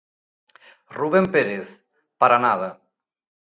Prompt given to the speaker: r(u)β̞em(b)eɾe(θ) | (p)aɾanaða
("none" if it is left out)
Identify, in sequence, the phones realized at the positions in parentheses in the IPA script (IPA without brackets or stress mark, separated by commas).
u, p, θ, p